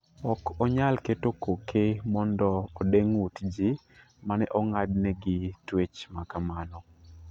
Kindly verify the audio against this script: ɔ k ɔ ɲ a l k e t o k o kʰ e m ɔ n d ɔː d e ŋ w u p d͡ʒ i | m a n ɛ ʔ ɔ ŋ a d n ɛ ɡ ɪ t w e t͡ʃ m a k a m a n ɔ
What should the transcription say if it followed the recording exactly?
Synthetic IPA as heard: ɔ k ɔ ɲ a l k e t o k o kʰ e m ɔ n d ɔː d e ŋ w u t d͡ʒ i | m a n ɛ ʔ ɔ ŋ a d n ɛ ɡ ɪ t w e t͡ʃ m a k a m a n ɔ